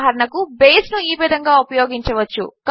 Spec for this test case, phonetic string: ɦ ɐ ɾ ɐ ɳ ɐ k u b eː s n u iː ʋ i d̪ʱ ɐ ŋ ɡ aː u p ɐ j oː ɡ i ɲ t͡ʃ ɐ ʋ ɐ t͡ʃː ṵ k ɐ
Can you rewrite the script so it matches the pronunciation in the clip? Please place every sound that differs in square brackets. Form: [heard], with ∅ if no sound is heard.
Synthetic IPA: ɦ ɐ ɾ ɐ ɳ ɐ k u b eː s n u iː ʋ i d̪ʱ ɐ ŋ ɡ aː u p ɐ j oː ɡ i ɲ t͡ʃ ɐ ʋ ɐ t͡ʃː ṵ k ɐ